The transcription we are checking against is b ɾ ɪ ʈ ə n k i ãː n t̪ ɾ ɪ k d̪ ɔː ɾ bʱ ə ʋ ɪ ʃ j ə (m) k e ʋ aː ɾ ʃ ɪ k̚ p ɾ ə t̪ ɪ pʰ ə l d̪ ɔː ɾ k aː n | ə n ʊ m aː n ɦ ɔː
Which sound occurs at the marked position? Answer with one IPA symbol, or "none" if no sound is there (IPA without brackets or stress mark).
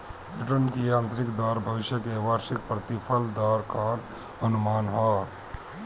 none